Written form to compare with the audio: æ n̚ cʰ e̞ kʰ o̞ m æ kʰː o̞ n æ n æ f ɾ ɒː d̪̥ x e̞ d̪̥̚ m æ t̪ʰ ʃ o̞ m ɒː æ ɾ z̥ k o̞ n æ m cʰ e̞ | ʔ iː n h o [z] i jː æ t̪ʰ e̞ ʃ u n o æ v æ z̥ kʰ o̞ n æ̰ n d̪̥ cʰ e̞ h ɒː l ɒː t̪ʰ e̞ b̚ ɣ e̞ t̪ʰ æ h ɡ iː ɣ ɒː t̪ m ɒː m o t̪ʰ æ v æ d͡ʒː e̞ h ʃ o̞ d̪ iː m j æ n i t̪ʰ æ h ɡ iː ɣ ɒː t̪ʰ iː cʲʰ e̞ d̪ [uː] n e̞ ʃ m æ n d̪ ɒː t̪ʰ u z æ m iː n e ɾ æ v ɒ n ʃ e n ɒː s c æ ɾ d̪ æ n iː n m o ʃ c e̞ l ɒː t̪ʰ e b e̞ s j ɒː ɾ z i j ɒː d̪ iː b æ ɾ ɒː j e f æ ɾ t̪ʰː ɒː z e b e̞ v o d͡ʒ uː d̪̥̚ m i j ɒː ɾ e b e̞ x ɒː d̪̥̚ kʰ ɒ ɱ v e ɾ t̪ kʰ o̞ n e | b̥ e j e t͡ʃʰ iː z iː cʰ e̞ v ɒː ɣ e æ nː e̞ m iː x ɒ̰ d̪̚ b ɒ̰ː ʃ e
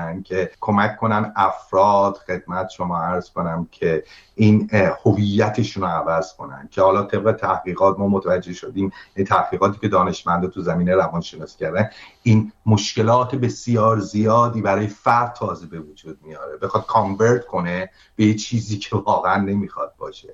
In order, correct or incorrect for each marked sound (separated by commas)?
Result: incorrect, incorrect